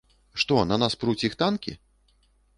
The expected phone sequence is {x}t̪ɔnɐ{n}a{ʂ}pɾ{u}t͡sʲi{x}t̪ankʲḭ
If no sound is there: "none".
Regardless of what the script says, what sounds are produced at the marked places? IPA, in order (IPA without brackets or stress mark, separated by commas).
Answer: ʂ, n, s, u, x